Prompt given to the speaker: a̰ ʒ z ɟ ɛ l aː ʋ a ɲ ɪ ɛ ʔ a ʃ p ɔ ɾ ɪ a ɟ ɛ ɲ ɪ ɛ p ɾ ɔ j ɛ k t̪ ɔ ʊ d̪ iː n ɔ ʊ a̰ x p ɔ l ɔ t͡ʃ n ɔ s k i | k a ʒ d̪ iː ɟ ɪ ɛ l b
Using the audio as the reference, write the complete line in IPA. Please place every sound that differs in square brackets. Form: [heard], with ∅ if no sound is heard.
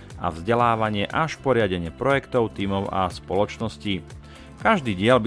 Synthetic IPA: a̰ [v] z ɟ ɛ l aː ʋ a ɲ ɪ ɛ ʔ a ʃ p ɔ ɾ ɪ a ɟ ɛ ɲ ɪ ɛ p ɾ ɔ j ɛ k t̪ ɔ ʊ [t̪] iː [m] ɔ ʊ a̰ [s] p ɔ l ɔ t͡ʃ n ɔ s [c] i | k a ʒ d̪ iː ɟ ɪ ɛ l b